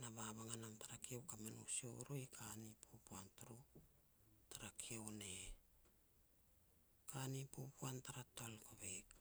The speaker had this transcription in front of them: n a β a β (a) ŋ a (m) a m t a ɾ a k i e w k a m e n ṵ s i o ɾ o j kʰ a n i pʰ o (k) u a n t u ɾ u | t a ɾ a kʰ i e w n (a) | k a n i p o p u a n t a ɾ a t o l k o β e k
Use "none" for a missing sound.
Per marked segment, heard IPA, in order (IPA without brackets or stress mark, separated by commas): a, n, p, e